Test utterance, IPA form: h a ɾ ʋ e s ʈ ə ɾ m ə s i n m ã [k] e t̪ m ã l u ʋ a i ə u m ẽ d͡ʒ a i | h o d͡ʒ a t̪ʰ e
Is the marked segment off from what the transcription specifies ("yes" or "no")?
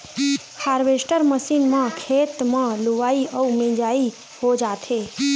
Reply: yes